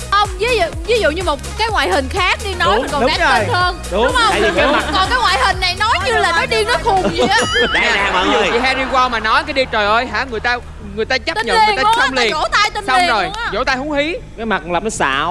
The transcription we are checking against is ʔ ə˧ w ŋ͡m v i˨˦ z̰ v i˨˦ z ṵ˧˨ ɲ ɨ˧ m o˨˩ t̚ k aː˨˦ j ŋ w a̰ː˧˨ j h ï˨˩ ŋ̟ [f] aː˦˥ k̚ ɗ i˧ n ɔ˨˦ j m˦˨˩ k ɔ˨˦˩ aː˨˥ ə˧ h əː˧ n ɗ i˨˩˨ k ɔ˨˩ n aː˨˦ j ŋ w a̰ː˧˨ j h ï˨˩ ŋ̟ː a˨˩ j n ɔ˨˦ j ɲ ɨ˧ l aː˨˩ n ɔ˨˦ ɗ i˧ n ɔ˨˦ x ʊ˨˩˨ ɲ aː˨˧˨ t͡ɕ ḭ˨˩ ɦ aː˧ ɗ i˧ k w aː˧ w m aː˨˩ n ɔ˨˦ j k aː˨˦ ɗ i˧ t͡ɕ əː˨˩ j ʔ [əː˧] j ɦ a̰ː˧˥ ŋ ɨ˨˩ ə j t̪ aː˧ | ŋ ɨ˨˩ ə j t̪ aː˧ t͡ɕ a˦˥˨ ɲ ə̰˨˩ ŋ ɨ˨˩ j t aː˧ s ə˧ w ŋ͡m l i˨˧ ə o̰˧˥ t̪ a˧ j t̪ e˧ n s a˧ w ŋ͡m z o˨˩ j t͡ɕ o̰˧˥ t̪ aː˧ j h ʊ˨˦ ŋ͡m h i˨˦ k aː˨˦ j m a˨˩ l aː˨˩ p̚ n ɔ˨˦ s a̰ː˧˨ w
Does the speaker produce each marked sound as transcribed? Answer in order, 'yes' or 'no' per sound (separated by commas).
no, yes